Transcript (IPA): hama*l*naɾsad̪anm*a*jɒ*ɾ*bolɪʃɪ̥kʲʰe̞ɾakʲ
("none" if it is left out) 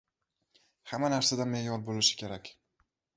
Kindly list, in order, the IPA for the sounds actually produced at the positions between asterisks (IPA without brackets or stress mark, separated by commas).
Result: none, e, ɾ